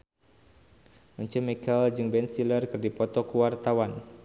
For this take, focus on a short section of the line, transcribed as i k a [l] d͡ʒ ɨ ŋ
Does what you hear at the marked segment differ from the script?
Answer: no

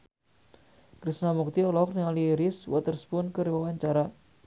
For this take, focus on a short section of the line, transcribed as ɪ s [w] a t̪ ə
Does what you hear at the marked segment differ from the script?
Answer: no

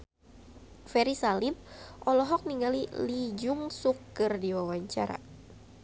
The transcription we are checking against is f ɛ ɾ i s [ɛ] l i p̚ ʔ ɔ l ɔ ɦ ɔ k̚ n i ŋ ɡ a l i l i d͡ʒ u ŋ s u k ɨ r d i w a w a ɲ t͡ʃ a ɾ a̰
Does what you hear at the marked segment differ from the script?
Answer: yes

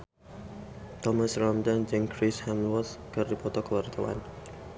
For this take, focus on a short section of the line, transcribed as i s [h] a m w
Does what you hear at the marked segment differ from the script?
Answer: no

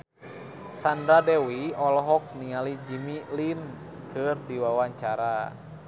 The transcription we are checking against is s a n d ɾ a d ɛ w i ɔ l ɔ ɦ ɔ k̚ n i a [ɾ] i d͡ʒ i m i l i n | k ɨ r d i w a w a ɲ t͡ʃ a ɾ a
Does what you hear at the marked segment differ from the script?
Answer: yes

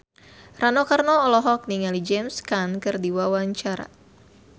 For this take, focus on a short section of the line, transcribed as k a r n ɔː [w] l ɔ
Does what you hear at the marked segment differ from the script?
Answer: yes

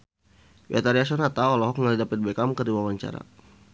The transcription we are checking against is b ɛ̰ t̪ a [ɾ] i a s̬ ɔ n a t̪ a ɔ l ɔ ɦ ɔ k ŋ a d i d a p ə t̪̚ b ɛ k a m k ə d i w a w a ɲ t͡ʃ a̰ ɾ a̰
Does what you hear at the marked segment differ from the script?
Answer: no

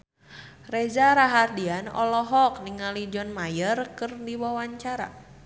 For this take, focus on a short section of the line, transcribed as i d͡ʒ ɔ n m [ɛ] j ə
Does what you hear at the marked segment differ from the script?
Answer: yes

